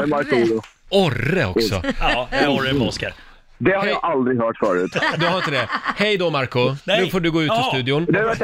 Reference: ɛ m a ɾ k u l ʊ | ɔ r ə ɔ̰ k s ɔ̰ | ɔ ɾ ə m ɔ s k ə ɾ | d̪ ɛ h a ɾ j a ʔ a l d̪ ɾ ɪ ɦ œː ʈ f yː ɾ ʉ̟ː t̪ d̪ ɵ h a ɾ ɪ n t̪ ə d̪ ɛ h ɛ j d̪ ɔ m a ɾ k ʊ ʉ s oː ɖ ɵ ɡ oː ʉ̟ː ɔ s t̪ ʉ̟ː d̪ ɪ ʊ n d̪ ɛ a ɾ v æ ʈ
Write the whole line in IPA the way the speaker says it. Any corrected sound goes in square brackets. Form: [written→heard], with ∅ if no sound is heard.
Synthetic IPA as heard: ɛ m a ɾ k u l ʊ | ɔ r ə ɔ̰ k s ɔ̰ | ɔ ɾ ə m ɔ s k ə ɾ | d̪ ɛ h a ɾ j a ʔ a l d̪ ɾ ɪ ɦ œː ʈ f [yː→œː] ɾ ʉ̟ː t̪ d̪ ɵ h a ɾ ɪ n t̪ ə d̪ ɛ h ɛ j d̪ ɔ m a ɾ k ʊ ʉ [s→f] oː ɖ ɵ ɡ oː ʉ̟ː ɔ s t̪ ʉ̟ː d̪ ɪ ʊ n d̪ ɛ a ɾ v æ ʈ